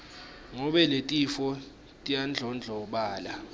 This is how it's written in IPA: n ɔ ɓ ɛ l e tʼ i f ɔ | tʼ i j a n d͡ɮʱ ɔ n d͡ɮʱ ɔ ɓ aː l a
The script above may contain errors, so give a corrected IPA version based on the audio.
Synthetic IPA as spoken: ŋ ɔ ɓ ɛ l e tʼ i f ɔ | tʼ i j a n d͡ɮʱ ɔ n d͡ɮʱ ɔ ɓ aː l a

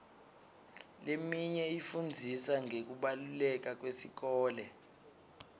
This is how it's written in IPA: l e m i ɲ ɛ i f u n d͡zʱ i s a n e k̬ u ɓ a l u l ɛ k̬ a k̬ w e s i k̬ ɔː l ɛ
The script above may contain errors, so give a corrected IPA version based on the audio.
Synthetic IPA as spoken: l e m i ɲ ɛ i f u n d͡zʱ i s a ŋ e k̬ u ɓ a l u l ɛ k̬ a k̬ w e s i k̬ ɔː l ɛ

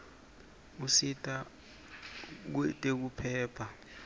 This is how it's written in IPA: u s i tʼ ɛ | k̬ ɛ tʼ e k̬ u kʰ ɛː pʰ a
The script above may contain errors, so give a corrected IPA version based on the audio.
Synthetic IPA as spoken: u s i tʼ a | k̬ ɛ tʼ e k̬ u pʰ ɛː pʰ a

